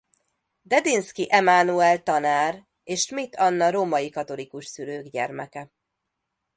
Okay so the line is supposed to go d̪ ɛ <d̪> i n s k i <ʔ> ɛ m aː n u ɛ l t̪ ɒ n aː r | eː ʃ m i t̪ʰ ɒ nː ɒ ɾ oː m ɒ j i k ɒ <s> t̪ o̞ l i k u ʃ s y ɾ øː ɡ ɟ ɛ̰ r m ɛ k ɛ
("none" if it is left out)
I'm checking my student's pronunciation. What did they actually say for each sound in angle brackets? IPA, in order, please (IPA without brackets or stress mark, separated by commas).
d̪, ʔ, none